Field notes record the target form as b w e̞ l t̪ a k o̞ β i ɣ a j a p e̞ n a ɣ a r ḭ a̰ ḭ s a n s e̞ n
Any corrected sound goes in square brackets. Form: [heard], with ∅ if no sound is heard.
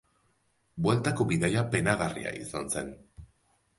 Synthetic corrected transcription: b w e̞ l t̪ a k o̞ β i [ð] a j a p e̞ n a ɣ a r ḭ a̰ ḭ s a n s e̞ n